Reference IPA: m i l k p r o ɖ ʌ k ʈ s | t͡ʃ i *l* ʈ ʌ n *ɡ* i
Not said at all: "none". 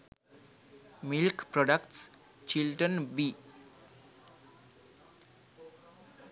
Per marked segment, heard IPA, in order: l, b

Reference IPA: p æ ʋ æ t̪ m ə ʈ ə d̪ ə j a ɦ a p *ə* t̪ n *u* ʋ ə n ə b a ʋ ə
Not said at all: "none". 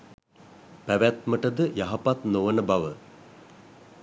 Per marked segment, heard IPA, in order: a, o

